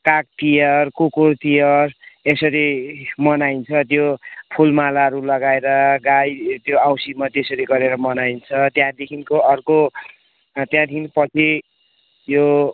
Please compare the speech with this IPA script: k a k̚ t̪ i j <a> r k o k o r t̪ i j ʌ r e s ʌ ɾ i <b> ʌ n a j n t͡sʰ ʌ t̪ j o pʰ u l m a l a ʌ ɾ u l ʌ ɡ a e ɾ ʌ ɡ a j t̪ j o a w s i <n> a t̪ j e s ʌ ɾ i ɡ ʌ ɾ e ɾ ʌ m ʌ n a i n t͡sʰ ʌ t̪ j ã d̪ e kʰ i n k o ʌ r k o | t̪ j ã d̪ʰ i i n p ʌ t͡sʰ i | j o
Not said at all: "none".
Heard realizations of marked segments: ʌ, m, m

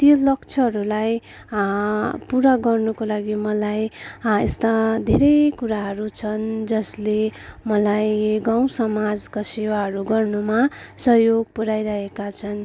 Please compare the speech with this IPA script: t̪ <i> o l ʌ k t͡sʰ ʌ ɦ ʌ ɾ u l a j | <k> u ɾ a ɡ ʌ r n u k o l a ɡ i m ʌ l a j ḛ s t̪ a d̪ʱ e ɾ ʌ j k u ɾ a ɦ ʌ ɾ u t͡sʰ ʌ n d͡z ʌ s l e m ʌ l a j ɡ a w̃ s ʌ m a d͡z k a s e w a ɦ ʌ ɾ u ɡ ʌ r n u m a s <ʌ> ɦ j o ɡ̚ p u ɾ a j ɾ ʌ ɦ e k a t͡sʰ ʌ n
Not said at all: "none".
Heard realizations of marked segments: j, p, ʌ

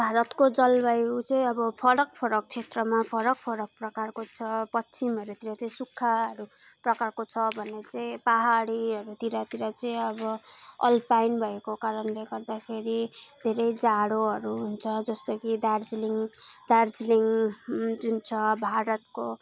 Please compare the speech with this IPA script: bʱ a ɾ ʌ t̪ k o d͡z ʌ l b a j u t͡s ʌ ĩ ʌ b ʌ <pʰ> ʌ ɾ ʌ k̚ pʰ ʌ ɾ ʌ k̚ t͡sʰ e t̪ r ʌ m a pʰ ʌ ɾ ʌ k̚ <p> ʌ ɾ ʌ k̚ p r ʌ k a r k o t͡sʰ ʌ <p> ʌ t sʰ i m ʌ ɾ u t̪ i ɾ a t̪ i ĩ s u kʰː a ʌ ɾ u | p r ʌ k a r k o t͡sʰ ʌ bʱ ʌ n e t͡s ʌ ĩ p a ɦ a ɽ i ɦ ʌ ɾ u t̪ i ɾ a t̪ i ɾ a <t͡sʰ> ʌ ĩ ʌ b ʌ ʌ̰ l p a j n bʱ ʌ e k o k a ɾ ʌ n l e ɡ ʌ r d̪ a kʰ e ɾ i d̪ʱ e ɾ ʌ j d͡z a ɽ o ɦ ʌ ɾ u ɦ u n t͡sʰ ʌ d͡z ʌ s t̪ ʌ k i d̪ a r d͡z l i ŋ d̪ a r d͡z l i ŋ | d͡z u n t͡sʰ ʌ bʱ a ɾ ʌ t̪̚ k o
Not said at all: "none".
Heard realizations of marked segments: pʰ, pʰ, p, t͡s

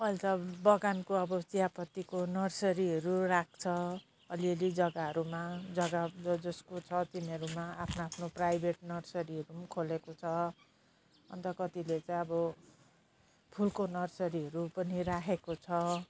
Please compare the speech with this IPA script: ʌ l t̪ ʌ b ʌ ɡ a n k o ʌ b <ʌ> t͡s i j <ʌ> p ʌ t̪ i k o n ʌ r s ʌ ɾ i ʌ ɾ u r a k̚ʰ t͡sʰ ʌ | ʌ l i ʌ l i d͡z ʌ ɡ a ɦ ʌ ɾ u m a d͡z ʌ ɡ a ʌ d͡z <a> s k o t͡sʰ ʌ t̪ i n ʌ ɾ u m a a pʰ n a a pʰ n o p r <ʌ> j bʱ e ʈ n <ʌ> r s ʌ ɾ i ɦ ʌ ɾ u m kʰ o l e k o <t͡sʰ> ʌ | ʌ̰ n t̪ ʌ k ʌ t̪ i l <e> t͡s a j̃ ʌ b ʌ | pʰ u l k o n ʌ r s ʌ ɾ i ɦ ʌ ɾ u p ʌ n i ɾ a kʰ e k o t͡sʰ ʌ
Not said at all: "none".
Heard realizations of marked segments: ʌ, a, ʌ, a, ʌ, t͡sʰ, e

